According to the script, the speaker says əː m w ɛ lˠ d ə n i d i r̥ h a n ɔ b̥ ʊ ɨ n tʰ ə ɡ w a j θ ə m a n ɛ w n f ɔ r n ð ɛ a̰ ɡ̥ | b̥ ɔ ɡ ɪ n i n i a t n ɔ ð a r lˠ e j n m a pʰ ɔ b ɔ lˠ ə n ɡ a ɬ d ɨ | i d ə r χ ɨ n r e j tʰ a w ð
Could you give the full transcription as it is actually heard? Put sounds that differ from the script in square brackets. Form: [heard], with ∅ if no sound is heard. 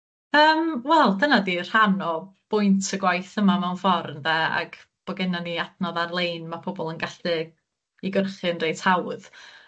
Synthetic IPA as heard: əː m w ɛ lˠ d ə n [a] d i r̥ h a n ɔ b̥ ʊ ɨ n tʰ ə ɡ w a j θ ə m a [m] ɛ w n f ɔ r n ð ɛ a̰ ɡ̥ | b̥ ɔ ɡ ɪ n [a] n i a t n ɔ ð a r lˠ e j n m a pʰ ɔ b ɔ lˠ ə n ɡ a ɬ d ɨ | i [ɡ] ə r χ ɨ n r e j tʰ a w ð